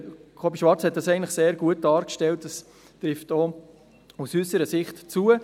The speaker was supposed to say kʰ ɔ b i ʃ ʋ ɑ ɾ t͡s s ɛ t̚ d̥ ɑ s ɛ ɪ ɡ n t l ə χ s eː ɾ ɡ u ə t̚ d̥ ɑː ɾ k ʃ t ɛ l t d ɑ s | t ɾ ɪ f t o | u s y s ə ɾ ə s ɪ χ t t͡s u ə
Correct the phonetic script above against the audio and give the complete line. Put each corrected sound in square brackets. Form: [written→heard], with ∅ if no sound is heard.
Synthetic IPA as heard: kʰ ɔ b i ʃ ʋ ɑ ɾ t͡s [s→h] ɛ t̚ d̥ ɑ s ɛ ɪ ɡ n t l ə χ s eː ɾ ɡ u ə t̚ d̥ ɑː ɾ k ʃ t ɛ l t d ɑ s | t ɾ ɪ f t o | u s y s ə ɾ ə s ɪ χ t t͡s u ə